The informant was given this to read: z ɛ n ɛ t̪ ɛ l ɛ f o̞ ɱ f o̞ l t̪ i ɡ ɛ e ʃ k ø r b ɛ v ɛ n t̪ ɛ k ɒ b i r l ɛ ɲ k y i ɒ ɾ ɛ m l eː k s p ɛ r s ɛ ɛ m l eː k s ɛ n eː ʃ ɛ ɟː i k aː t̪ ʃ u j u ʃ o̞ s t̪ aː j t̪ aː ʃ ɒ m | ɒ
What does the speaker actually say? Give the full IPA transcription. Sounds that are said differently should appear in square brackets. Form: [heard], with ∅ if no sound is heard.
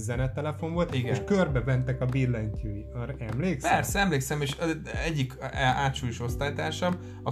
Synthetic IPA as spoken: z ɛ n ɛ t̪ ɛ l ɛ f o̞ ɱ [v] o̞ l t̪ i ɡ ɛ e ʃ k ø r b ɛ v ɛ n t̪ ɛ k ɒ b i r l ɛ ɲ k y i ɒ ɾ ɛ m l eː k s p ɛ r s ɛ ɛ m l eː k s ɛ [m] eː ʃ ɛ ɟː i k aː t̪ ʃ u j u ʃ o̞ s t̪ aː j t̪ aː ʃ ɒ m | ɒ